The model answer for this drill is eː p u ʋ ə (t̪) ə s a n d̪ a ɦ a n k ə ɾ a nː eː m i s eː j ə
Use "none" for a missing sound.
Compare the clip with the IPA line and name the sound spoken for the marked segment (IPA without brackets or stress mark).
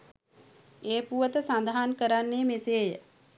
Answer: t̪